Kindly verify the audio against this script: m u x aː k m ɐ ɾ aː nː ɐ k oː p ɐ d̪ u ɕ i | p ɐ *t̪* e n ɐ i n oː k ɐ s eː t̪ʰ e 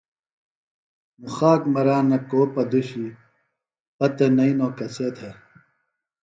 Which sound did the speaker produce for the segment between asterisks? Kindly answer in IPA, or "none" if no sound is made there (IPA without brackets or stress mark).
t̪